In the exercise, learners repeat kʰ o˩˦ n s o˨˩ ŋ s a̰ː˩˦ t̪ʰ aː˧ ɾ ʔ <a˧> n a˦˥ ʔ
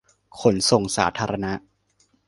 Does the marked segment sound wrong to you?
no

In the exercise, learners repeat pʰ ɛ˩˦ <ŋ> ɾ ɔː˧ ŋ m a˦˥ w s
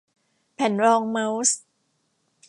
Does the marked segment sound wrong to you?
yes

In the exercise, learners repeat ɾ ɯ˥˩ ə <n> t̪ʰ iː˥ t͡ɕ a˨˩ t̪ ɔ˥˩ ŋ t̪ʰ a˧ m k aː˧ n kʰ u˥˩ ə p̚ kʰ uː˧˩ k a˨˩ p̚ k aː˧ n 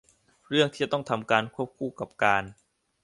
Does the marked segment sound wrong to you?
yes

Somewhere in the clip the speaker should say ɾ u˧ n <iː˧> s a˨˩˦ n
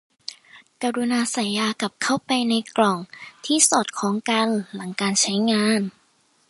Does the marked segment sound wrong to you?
yes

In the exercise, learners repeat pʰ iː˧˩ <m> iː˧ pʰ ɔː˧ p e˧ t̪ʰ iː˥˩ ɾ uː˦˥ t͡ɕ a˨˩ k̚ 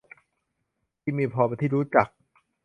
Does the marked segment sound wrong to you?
no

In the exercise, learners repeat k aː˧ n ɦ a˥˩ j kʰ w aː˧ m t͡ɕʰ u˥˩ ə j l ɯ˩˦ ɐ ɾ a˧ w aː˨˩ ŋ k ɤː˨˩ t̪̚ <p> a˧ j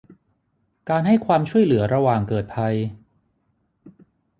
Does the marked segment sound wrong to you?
yes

